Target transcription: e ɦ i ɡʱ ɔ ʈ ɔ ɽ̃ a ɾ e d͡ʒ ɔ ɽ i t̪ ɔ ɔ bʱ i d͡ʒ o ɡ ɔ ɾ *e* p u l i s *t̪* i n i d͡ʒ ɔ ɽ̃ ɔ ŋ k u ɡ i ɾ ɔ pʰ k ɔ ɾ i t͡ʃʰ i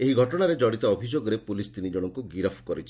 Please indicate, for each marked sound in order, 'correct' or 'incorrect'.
correct, correct

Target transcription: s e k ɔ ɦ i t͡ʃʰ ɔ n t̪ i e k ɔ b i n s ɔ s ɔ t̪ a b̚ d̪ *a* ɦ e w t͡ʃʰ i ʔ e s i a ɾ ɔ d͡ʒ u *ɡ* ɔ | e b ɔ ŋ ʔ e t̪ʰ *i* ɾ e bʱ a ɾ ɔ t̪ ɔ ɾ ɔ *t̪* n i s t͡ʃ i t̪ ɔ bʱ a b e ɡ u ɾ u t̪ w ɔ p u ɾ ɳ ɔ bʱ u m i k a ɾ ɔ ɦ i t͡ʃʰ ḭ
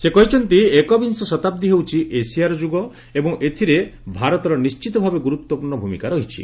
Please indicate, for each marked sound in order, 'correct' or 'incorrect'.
incorrect: i, correct, correct, incorrect: none

